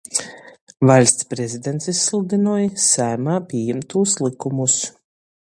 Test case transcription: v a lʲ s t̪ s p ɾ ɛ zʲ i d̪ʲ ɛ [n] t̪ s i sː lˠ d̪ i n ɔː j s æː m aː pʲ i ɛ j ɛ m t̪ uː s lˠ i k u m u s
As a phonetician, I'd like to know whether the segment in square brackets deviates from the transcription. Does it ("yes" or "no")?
no